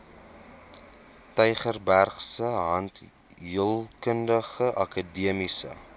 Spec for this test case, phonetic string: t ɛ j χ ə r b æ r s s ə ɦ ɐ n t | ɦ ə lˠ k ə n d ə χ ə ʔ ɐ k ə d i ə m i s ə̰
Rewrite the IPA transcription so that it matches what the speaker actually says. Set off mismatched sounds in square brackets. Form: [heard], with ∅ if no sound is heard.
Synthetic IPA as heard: t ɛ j χ ə r b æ r [χ] s ə ɦ ɐ n t | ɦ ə lˠ k ə n d ə χ ə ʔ ɐ k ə d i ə m i s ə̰